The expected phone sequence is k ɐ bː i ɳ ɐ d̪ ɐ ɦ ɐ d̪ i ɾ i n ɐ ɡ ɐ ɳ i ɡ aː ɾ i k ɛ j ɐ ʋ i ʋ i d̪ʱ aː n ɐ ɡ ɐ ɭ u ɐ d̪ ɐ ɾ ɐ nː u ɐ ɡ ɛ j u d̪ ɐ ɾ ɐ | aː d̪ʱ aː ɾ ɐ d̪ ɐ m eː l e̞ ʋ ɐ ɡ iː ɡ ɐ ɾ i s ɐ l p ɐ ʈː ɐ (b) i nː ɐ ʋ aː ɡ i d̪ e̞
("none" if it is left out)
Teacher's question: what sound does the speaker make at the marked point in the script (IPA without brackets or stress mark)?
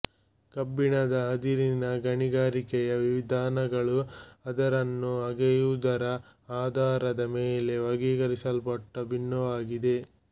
b